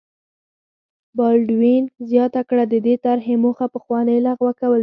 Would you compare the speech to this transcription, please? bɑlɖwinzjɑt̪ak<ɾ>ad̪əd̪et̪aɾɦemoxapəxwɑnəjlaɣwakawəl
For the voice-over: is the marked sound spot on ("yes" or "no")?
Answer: no